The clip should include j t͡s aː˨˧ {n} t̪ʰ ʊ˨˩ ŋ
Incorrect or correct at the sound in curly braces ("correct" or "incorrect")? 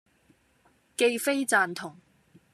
correct